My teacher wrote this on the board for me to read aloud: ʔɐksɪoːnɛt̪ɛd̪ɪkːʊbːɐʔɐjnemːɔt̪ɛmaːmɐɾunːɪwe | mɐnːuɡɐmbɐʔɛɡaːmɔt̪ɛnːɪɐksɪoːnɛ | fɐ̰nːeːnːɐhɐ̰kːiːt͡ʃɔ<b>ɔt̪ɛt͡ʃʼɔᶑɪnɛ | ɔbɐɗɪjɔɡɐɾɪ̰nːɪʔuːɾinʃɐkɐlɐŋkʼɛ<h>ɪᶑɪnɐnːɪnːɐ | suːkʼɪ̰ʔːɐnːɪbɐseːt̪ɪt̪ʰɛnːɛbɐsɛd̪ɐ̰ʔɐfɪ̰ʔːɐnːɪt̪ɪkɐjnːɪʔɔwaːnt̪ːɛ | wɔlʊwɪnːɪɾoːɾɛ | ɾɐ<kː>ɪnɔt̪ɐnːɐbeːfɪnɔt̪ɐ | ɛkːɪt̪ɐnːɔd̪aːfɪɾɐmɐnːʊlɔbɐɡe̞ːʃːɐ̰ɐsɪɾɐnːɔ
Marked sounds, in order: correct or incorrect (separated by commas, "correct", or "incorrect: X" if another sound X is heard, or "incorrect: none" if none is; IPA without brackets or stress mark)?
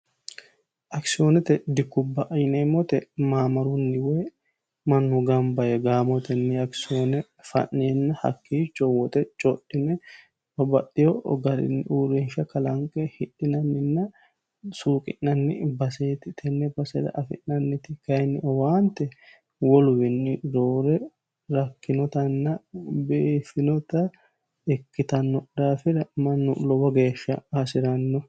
incorrect: w, correct, correct